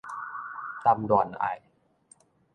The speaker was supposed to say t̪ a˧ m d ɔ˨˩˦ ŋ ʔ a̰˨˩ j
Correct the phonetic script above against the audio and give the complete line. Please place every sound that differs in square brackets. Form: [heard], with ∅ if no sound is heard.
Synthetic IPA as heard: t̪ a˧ m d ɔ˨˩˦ [n] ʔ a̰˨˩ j